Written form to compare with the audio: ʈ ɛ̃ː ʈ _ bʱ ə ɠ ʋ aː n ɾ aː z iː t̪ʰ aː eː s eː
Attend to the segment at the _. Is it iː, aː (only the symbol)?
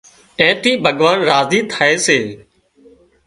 iː